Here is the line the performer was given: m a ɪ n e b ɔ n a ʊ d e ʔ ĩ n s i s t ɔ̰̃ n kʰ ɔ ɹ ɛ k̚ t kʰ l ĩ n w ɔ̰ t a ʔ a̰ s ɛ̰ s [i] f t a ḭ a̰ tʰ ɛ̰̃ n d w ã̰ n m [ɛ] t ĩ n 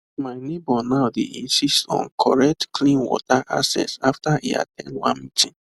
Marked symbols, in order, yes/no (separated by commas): no, no